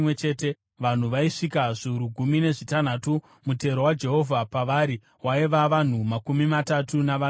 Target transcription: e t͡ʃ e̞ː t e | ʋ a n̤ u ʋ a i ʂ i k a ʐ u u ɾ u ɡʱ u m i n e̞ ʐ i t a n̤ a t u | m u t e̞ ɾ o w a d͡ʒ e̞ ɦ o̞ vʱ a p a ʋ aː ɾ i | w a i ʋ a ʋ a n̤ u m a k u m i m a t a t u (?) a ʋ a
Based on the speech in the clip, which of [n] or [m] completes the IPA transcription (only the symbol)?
n